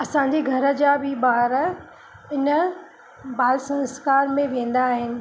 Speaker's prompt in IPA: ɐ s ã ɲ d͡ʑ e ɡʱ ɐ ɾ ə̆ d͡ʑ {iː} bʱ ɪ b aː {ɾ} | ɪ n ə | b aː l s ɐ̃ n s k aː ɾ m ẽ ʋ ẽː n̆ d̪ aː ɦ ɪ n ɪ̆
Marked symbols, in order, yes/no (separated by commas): no, yes